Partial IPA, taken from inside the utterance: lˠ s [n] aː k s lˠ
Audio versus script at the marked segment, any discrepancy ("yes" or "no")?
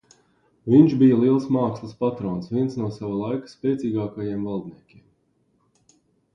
yes